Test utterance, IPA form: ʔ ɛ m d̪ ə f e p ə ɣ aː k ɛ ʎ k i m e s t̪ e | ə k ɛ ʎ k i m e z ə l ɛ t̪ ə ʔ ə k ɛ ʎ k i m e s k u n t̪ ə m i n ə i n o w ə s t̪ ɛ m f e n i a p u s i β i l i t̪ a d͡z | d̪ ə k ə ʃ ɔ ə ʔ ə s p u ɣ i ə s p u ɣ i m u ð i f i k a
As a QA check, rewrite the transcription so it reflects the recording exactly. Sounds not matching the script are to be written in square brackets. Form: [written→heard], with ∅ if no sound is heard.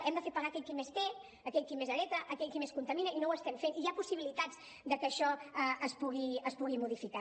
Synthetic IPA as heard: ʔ ɛ m d̪ ə f e p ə ɣ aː k ɛ ʎ k i m e s t̪ e | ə k ɛ ʎ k i m e z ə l ɛ t̪ ə ʔ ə k ɛ ʎ k i m e s k u n t̪ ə m i n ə i n o w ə s t̪ ɛ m f e n i a p u s i β i l i t̪ a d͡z | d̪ ə k ə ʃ ɔ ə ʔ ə s p u ɣ i ə s p u ɣ i m u ð i f i k a